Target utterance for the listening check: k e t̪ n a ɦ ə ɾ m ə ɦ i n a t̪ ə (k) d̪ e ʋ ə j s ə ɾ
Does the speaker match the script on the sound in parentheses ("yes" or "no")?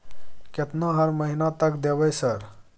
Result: yes